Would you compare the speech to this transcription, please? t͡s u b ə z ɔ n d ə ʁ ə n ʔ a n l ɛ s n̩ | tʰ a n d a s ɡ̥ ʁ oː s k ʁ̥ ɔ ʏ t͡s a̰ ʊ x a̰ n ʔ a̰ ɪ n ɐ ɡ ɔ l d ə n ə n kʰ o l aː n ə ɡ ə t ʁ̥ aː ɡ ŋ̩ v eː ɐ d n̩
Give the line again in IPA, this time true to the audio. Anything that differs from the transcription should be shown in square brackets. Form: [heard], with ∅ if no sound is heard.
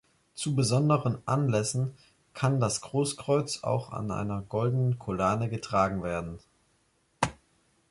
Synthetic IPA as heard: t͡s u b ə z ɔ n d ə ʁ ə n ʔ a n l ɛ s n̩ | [kʰ] a n d a s ɡ̥ ʁ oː s k ʁ̥ ɔ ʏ t͡s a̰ ʊ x a̰ n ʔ a̰ ɪ n ɐ ɡ ɔ l d ə n ə n kʰ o l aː n ə ɡ ə t ʁ̥ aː ɡ ŋ̩ v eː ɐ d n̩